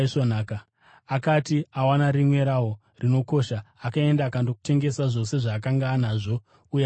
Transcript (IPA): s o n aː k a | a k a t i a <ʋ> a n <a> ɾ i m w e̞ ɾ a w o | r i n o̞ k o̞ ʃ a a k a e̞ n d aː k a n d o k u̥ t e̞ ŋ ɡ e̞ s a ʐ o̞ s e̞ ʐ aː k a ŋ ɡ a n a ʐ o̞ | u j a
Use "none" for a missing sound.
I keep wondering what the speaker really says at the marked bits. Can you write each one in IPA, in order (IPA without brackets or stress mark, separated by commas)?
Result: w, a